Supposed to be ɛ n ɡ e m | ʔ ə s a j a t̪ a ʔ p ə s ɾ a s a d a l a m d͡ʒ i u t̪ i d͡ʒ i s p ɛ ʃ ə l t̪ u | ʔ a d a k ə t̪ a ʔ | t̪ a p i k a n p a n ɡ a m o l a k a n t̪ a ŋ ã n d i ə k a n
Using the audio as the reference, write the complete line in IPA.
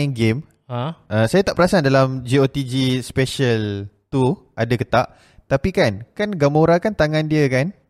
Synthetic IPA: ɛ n ɡ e m | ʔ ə s a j a t̪ a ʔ p ə ɾ a s a d a l a m d͡ʒ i o t̪ i d͡ʒ i s p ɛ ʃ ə l t̪ u | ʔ a d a k ə t̪ a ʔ | t̪ a p i k a n k a n ɡ a m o ɾ a k a n t̪ a ŋ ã n d i ə k a n